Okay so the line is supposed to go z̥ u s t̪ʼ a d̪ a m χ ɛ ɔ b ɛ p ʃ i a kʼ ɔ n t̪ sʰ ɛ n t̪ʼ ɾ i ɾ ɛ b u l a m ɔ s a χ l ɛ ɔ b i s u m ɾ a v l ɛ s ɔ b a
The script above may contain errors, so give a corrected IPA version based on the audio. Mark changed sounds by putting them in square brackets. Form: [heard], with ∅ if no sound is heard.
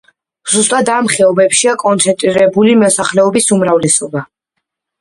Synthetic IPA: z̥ u s t̪ʼ a d̪ a m χ ɛ ɔ b ɛ p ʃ i a kʼ ɔ n t̪ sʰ ɛ n t̪ʼ ɾ i ɾ ɛ b u l [i] m ɔ s a χ l ɛ ɔ b i s u m ɾ a v l ɛ s ɔ b a